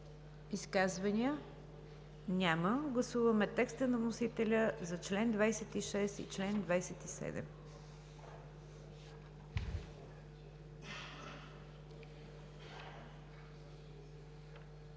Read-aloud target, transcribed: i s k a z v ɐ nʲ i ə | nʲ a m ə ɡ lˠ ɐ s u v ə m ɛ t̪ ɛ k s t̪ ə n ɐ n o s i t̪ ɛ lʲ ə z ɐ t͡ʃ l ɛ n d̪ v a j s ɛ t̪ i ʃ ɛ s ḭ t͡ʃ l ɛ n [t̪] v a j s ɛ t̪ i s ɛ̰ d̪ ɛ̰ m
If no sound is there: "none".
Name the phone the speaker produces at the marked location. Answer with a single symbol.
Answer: d̪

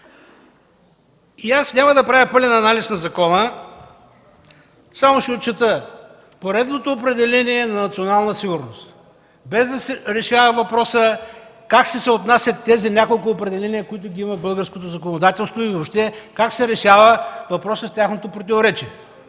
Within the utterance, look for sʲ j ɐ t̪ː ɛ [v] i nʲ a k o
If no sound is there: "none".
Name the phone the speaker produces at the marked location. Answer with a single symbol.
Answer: z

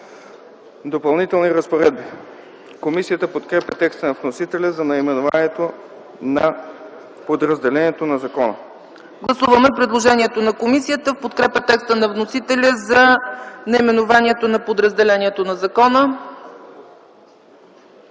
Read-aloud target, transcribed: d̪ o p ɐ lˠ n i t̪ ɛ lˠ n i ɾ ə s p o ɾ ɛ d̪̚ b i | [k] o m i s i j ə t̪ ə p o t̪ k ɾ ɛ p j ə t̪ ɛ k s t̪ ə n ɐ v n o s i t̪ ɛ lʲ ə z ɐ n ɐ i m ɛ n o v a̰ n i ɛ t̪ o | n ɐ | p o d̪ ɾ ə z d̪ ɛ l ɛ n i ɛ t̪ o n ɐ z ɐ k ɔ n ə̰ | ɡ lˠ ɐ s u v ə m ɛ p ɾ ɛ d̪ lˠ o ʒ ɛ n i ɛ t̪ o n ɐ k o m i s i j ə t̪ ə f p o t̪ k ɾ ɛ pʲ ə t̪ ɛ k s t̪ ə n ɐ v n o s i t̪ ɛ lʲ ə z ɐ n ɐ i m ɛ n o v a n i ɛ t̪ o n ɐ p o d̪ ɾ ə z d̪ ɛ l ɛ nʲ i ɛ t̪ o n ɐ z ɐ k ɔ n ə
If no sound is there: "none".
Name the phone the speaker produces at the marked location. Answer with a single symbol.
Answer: k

